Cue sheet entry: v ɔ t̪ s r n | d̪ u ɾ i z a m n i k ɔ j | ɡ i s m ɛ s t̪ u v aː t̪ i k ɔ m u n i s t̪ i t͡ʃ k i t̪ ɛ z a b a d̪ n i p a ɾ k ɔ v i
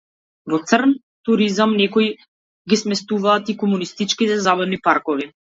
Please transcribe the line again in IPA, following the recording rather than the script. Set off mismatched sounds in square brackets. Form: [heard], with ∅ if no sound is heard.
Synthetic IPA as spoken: v ɔ t̪ s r n | [t̪] u ɾ i z a m n [ɛ] k ɔ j | ɡ i s m ɛ s t̪ u v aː t̪ i k ɔ m u n i s t̪ i t͡ʃ k i t̪ ɛ z a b a d̪ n i p a ɾ k ɔ v i